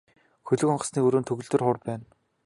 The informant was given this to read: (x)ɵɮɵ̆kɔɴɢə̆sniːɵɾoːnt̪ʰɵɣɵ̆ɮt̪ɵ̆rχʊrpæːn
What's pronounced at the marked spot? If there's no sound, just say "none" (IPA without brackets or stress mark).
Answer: x